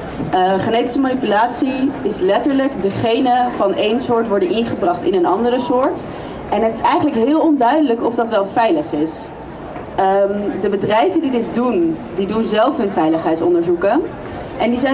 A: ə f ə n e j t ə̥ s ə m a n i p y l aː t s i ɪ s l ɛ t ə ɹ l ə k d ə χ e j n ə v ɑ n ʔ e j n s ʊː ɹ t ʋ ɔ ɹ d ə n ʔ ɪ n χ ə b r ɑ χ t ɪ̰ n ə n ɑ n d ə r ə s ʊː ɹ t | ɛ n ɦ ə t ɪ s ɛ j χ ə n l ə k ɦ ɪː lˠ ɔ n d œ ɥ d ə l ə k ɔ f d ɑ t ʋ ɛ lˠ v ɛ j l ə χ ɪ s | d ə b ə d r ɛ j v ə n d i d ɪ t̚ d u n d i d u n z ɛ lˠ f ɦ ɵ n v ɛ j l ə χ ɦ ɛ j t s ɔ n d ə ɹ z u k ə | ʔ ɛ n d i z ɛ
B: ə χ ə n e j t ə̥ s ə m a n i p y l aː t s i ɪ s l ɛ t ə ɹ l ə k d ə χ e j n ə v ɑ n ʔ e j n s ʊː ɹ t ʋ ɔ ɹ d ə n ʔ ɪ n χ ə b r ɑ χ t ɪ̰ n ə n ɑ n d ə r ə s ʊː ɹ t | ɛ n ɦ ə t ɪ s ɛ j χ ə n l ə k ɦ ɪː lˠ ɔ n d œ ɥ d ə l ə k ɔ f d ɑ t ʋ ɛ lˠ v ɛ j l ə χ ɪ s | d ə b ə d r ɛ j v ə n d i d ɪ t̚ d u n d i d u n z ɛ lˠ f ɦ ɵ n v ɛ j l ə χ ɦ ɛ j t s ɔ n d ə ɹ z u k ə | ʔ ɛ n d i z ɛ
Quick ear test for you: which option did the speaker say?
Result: B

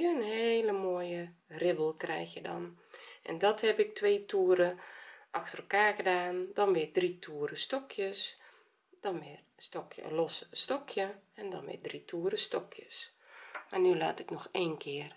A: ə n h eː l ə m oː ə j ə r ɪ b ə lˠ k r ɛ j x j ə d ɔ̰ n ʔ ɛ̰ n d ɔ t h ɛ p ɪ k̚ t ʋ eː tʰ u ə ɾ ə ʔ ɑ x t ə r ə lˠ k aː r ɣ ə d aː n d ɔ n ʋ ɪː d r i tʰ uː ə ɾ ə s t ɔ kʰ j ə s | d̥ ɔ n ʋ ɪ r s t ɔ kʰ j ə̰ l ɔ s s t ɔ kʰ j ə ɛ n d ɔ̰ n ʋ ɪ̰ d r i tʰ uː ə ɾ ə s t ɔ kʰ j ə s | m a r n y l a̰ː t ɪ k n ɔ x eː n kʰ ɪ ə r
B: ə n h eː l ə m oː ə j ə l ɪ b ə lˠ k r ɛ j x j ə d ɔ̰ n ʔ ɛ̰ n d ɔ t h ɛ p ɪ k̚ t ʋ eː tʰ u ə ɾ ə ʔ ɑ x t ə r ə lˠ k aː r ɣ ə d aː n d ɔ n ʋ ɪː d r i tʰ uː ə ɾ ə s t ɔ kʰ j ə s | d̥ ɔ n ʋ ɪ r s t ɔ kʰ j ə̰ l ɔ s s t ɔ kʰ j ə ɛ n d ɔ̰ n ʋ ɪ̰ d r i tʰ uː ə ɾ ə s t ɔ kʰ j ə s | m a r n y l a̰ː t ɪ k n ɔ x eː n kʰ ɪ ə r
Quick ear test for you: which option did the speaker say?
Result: A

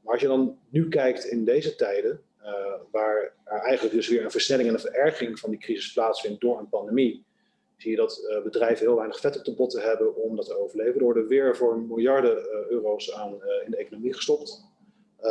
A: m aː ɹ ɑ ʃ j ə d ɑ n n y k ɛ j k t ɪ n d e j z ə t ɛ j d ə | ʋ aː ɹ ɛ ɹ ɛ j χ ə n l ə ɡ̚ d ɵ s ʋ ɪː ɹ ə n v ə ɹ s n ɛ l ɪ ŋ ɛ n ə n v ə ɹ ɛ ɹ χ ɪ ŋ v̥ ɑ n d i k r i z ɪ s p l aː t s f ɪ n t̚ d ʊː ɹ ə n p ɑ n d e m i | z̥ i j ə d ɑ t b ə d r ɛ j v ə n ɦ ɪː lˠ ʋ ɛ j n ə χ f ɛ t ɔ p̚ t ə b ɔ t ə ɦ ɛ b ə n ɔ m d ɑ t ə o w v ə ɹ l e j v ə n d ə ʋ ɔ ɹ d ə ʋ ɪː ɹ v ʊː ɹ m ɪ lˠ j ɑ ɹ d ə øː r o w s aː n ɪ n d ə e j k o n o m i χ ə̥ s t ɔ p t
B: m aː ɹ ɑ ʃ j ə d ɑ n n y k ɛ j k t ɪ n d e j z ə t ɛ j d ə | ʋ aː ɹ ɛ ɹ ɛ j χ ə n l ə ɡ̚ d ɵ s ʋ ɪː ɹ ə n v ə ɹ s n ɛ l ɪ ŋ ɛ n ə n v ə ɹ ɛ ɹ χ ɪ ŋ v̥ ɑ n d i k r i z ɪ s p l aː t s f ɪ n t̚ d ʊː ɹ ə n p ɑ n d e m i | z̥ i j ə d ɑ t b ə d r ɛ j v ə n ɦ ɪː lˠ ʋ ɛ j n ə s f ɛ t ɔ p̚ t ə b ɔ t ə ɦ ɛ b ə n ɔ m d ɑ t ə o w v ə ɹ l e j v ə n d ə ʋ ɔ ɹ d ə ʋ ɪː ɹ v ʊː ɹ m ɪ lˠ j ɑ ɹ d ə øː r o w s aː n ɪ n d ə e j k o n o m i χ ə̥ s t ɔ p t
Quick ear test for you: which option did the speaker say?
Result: A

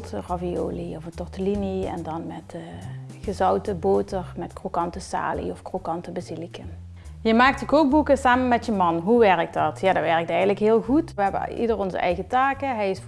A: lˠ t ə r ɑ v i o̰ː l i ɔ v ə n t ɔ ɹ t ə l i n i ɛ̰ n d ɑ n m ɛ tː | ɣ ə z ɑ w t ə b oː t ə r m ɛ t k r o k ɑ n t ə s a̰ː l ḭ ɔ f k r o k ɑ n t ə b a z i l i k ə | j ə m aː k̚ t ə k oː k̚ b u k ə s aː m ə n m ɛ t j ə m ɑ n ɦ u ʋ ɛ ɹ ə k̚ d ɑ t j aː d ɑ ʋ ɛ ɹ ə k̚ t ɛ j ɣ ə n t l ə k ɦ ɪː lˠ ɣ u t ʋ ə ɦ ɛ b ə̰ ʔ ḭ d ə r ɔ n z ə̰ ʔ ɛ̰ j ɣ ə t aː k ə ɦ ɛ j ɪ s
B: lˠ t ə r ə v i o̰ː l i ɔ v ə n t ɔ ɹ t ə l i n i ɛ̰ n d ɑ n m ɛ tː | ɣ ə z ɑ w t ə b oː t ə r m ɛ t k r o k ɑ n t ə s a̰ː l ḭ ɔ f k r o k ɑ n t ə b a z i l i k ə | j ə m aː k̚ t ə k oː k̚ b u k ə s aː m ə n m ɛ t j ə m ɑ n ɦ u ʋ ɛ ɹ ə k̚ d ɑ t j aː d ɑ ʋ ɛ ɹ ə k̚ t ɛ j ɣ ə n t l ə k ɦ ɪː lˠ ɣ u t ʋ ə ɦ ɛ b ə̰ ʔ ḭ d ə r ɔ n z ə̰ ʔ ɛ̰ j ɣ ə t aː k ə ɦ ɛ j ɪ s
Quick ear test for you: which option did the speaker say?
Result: A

